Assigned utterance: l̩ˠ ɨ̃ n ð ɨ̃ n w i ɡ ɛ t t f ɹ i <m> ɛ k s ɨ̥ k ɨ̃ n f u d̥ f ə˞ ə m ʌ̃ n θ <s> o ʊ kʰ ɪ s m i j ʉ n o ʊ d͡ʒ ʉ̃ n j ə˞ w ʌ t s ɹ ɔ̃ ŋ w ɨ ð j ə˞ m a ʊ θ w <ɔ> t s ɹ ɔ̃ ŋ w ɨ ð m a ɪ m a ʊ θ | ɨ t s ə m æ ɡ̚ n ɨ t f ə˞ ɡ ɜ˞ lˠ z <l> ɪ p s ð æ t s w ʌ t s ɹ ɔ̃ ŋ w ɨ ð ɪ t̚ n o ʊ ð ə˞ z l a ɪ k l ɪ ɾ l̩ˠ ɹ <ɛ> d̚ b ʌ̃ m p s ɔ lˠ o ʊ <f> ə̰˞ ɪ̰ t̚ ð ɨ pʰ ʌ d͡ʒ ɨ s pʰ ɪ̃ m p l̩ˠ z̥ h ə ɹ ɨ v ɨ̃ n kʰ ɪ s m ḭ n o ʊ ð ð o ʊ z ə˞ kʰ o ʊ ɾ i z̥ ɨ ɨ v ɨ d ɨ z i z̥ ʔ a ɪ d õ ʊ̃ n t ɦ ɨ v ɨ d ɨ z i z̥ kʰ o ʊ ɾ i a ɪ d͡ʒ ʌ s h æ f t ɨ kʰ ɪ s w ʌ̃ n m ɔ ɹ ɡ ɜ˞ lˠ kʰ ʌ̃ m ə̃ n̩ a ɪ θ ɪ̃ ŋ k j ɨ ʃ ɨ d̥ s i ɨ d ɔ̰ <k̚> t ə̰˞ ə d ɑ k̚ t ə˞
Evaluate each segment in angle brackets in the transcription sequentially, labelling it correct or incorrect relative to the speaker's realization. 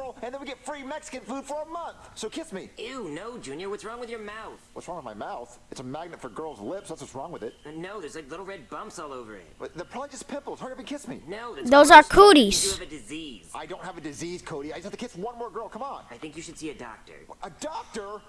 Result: correct, correct, incorrect: ʌ, correct, correct, incorrect: v, correct

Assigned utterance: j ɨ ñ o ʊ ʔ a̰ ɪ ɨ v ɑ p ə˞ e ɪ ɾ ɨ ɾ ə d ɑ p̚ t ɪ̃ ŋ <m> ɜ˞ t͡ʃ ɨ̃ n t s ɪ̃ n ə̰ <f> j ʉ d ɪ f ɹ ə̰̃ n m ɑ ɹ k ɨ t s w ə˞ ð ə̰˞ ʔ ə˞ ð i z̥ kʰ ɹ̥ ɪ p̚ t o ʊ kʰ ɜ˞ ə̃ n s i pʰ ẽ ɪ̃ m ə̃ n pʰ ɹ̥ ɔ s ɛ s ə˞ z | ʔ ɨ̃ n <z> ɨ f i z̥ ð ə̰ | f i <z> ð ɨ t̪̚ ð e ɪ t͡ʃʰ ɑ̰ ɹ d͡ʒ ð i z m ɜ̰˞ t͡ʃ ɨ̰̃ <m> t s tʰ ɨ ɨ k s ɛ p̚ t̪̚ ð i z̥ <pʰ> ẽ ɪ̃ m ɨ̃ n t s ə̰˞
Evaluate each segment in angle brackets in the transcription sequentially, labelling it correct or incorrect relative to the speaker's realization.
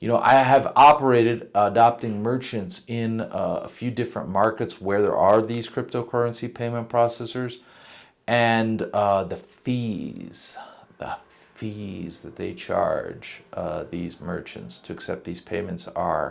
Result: correct, correct, incorrect: ð, correct, incorrect: n, correct

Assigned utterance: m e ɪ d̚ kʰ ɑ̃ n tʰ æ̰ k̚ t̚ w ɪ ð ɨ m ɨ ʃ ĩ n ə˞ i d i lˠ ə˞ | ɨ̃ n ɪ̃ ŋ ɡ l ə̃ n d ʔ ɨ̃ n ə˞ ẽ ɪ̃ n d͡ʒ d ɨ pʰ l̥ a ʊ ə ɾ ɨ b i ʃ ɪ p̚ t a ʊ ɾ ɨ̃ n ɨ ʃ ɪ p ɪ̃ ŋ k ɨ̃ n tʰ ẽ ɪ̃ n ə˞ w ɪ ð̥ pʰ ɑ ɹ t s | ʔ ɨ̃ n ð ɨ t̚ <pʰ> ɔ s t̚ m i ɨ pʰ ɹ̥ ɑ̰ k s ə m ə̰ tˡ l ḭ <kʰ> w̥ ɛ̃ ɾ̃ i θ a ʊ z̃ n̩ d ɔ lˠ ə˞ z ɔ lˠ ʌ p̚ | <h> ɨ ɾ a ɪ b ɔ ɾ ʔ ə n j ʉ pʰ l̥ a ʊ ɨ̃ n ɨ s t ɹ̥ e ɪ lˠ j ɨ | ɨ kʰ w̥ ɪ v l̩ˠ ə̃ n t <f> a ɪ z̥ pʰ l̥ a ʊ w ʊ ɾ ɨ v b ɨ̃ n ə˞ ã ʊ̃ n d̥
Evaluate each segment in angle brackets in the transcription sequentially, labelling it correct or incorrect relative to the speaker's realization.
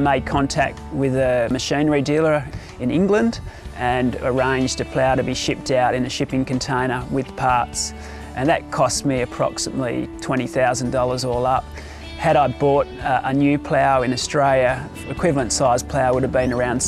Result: incorrect: kʰ, incorrect: tʰ, correct, incorrect: s

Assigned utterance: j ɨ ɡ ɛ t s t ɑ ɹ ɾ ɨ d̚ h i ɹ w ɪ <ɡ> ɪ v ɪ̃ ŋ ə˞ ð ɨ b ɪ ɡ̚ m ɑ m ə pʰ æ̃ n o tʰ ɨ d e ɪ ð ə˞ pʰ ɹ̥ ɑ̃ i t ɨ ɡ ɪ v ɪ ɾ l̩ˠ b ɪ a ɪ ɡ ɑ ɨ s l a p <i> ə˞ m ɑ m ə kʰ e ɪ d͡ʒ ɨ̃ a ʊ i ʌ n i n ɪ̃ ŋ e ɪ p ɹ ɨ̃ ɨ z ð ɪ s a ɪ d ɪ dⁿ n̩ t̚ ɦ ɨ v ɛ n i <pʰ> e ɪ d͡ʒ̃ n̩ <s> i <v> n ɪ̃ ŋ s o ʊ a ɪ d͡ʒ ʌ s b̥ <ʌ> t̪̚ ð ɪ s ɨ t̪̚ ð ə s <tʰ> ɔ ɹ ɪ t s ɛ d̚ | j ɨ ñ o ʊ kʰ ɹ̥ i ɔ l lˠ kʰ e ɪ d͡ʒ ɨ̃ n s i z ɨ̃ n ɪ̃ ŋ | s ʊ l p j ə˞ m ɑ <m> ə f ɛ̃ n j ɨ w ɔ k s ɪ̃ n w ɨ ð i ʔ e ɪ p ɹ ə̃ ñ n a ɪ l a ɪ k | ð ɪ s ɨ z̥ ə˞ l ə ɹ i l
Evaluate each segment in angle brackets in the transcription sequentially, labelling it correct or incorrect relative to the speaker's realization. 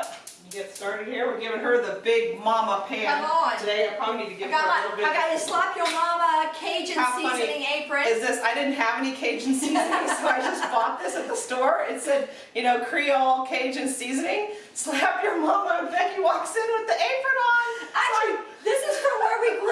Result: correct, incorrect: j, incorrect: kʰ, correct, incorrect: z, incorrect: ɔ, incorrect: t, correct

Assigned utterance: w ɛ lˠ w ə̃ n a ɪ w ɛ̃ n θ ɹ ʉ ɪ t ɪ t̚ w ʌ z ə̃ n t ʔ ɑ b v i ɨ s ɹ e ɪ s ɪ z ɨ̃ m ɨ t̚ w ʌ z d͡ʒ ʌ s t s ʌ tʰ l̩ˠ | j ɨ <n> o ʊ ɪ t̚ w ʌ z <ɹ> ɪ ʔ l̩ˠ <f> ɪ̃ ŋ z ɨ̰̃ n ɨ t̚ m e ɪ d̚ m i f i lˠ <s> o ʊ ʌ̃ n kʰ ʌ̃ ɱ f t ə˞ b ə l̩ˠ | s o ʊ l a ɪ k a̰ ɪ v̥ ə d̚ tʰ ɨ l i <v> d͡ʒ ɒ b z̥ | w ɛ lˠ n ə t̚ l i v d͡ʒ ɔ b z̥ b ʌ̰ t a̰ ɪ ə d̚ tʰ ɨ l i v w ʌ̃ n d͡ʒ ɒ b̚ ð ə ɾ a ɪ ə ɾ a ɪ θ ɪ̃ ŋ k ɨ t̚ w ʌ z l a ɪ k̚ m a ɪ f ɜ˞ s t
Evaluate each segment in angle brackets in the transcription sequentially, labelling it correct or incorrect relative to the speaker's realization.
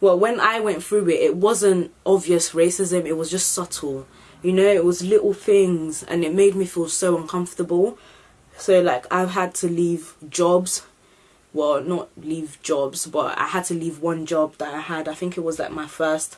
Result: correct, incorrect: l, incorrect: θ, correct, correct

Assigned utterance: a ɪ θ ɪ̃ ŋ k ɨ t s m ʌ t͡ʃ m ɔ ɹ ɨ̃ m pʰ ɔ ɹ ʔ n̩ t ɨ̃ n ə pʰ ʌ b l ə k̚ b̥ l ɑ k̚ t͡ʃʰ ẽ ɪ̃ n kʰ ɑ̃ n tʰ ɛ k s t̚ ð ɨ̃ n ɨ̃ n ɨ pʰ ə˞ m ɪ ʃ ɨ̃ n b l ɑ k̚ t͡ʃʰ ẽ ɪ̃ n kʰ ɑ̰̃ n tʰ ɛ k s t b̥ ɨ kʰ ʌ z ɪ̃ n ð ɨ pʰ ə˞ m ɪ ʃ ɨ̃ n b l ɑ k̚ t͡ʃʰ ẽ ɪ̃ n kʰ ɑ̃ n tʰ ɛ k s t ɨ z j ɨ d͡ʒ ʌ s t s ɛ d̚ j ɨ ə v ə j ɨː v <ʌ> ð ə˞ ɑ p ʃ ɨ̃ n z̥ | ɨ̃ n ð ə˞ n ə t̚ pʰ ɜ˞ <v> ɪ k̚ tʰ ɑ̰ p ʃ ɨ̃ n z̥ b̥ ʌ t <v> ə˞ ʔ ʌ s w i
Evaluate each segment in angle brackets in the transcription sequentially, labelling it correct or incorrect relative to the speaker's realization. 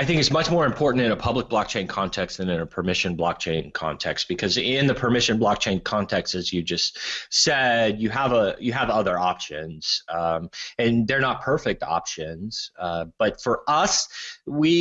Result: correct, incorrect: f, incorrect: f

